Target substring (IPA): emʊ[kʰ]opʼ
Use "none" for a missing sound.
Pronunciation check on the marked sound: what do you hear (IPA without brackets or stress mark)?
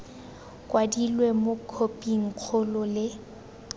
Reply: kʰ